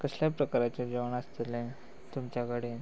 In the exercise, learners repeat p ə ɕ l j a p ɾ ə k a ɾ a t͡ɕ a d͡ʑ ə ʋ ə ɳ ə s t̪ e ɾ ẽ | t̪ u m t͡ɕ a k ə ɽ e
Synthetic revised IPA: k ə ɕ l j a p ɾ ə k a ɾ a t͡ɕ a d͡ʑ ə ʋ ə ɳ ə s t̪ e l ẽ | t̪ u m t͡ɕ a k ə ɽ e